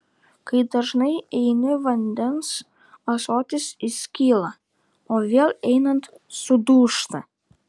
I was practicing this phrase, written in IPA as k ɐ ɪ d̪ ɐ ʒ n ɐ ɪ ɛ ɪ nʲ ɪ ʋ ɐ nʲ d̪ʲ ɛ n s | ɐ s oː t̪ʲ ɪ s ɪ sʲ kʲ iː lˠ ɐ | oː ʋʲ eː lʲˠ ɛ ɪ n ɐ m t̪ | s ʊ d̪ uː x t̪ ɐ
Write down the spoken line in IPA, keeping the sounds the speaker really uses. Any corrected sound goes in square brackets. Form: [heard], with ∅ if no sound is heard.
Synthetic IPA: k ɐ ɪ d̪ ɐ ʒ n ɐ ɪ ɛ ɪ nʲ ɪ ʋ ɐ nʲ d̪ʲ ɛ n s | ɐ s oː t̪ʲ ɪ s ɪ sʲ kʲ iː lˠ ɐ | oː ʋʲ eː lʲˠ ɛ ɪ n ɐ [n] t̪ | s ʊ d̪ uː [ʃ] t̪ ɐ

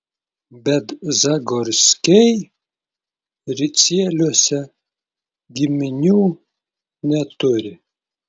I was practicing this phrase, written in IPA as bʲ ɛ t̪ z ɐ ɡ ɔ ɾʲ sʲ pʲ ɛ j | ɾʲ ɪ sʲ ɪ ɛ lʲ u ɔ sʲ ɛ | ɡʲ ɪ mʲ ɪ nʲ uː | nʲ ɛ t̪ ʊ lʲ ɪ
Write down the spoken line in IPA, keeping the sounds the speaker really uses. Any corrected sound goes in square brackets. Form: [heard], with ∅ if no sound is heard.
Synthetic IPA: bʲ ɛ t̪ z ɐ ɡ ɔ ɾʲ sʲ [kʲ] ɛ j | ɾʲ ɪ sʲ [i] ɛ lʲ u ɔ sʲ ɛ | ɡʲ ɪ mʲ ɪ nʲ uː | nʲ ɛ t̪ ʊ [ɾʲ] ɪ

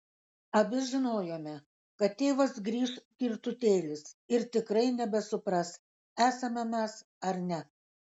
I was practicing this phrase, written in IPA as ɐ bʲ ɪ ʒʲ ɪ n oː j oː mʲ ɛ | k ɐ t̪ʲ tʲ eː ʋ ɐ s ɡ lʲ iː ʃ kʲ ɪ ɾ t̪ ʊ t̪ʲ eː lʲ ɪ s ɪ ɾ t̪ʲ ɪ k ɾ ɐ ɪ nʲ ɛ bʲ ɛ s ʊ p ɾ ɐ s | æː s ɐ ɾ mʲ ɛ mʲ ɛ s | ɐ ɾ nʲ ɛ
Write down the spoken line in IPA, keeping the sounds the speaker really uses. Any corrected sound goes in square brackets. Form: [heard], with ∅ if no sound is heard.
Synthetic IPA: ɐ bʲ ɪ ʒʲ ɪ n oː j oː mʲ ɛ | k ɐ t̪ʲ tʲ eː ʋ ɐ s ɡ [ɾʲ] iː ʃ kʲ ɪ ɾ t̪ ʊ t̪ʲ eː lʲ ɪ s ɪ ɾ t̪ʲ ɪ k ɾ ɐ ɪ nʲ ɛ bʲ ɛ s ʊ p ɾ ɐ s | æː s ɐ [∅] mʲ ɛ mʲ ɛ s | ɐ ɾ nʲ ɛ

